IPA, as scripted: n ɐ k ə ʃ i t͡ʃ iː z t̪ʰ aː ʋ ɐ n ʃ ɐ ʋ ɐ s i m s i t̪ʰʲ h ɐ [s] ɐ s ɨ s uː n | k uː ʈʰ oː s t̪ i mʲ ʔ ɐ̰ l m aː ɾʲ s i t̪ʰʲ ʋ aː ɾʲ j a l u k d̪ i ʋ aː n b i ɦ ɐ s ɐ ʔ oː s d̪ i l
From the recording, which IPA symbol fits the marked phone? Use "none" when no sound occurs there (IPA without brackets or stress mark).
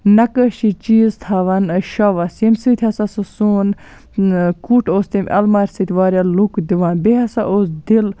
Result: s